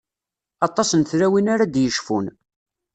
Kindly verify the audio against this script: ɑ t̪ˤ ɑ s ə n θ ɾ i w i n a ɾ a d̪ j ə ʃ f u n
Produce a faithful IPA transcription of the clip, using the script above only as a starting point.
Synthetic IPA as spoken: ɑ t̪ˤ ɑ s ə n θ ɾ æ w i n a ɾ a d̪ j ə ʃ f u n